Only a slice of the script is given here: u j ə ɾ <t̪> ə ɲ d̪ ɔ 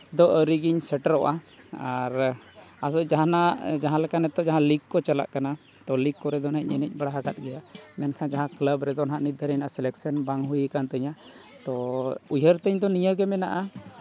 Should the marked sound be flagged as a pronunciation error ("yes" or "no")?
no